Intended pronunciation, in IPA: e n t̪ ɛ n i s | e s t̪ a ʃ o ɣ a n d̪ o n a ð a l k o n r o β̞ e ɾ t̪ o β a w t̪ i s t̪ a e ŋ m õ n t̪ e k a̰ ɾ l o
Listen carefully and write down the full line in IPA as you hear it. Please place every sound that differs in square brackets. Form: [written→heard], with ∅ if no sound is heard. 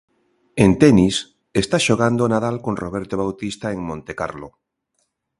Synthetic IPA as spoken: e n t̪ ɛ n i s | e s t̪ a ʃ o ɣ a n d̪ o n a ð a l k o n r o β̞ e ɾ t̪ o β a w t̪ i s t̪ a e ŋ m õ n t̪ e k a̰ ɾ l o